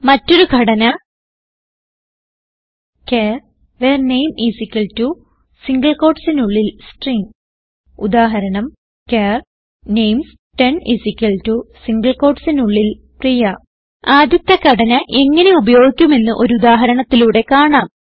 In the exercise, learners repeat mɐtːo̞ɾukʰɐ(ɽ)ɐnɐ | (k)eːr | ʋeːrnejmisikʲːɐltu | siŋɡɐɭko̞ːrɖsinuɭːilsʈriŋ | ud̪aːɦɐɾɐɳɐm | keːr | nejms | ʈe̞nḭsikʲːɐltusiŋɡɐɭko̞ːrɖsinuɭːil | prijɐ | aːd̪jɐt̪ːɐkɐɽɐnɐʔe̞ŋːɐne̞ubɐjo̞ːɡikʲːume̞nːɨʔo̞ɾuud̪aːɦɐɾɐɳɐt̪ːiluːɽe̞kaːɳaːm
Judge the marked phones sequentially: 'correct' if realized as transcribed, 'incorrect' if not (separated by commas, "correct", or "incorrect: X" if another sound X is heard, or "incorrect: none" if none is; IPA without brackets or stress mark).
correct, correct